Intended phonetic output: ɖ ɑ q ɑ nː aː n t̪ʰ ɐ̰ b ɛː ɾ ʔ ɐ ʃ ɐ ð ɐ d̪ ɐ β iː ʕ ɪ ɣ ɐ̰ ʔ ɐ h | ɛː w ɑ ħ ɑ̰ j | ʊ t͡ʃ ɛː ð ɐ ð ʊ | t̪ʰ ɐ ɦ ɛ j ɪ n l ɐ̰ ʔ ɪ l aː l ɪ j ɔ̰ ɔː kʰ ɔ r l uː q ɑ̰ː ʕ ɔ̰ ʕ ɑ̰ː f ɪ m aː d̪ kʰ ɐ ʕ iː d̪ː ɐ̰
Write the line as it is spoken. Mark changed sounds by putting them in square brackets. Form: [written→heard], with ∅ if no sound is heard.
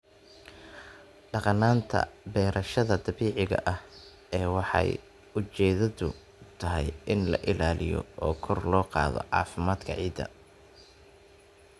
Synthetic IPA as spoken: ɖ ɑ q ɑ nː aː n t̪ʰ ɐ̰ b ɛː ɾ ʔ ɐ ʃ ɐ ð ɐ d̪ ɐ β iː ʕ ɪ ɣ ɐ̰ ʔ ɐ h | ɛː w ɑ ħ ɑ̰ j | ʊ t͡ʃ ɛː ð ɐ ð ʊ | t̪ʰ ɐ ɦ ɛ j ɪ n l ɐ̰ ʔ ɪ l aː l ɪ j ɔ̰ ɔː kʰ ɔ r l [uː→ɔː] q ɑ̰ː [ʕ→ð] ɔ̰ ʕ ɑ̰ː f ɪ m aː d̪ kʰ ɐ ʕ iː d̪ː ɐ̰